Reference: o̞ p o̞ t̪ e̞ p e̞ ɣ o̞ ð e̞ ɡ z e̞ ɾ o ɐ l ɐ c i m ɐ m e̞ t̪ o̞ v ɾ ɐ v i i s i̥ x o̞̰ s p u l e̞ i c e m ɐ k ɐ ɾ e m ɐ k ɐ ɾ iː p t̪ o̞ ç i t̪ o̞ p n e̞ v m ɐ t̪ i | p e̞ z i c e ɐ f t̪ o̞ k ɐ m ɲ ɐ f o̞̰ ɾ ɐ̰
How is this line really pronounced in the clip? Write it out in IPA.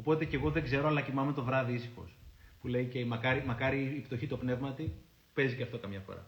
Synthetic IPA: o̞ p o̞ t̪ e̞ c e̞ ɣ o̞ ð e̞ ɡ z e̞ ɾ o ɐ l ɐ c i m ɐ m e̞ t̪ o̞ v ɾ ɐ ð i i s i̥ x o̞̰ s p u l e̞ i c e m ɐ k ɐ ɾ i m ɐ k ɐ ɾ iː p t̪ o̞ ç i t̪ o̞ p n e̞ v m ɐ t̪ i | p e̞ z i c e ɐ f t̪ o̞ k ɐ m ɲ ɐ f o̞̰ ɾ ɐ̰